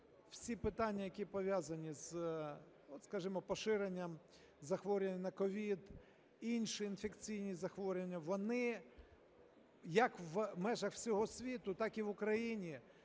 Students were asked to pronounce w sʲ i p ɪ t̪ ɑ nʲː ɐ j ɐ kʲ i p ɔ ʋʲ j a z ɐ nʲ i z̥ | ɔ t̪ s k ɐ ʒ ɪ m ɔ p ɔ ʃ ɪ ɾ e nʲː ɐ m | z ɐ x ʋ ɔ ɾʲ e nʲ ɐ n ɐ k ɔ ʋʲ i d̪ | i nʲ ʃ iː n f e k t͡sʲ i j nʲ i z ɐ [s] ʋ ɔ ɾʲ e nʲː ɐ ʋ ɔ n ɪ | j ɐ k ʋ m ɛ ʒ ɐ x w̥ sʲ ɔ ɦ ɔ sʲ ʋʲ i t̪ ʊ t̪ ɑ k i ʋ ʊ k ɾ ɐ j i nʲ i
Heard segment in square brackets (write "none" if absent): x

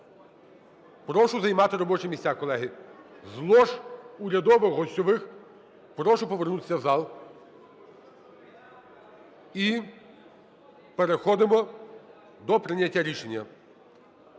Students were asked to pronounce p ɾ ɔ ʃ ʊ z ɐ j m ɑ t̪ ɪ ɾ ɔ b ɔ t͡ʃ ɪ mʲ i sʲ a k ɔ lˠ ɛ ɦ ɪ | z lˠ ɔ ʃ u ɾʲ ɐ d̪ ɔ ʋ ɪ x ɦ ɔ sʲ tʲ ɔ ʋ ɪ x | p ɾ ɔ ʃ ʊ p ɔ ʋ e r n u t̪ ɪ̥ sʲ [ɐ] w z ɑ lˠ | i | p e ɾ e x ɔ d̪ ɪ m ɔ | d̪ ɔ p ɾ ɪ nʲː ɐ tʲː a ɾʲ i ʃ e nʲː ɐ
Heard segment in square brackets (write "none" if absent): ɐ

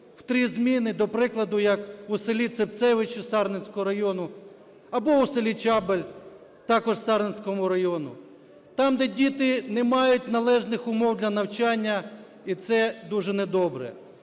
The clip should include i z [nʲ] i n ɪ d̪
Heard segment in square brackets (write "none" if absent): mʲ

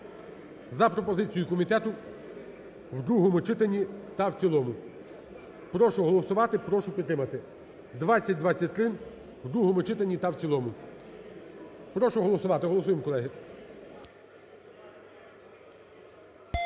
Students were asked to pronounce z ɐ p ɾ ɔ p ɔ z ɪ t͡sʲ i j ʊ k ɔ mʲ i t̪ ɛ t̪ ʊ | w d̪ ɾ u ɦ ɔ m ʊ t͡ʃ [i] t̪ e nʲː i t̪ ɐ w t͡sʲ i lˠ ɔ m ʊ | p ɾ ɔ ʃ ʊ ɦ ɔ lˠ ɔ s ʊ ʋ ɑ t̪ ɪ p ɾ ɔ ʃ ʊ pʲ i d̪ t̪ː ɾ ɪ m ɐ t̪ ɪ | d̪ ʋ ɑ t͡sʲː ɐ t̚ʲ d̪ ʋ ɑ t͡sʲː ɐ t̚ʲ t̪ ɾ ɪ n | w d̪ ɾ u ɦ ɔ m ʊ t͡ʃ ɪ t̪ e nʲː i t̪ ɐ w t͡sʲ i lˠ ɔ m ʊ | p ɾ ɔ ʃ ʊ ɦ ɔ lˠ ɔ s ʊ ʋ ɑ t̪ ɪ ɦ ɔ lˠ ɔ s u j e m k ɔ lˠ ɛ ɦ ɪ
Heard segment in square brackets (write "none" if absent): ɪ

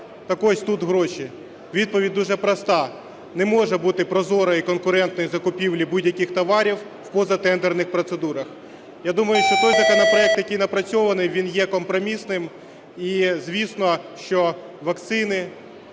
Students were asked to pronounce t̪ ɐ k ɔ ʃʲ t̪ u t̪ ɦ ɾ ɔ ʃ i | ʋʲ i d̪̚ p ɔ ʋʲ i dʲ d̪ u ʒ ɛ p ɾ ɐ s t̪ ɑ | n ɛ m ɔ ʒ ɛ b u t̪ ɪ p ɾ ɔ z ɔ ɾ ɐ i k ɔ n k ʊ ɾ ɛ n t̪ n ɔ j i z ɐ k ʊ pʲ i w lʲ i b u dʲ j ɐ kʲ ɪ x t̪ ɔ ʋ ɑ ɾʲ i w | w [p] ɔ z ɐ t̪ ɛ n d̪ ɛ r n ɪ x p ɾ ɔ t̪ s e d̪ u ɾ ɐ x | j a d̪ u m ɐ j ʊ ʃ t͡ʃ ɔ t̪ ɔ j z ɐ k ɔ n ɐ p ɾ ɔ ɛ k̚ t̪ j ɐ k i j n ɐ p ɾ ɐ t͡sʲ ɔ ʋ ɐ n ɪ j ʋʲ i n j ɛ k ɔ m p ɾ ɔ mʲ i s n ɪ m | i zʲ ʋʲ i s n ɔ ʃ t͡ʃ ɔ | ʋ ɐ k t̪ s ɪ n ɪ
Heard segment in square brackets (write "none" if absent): p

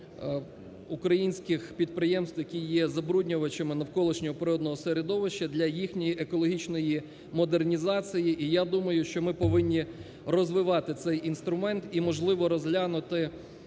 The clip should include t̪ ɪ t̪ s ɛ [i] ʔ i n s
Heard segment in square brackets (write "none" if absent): j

